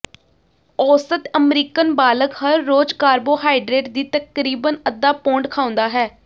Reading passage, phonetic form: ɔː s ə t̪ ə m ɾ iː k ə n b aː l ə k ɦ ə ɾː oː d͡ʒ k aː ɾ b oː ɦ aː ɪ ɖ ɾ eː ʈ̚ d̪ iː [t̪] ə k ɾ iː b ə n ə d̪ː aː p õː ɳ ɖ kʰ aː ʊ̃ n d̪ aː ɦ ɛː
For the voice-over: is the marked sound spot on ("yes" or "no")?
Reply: yes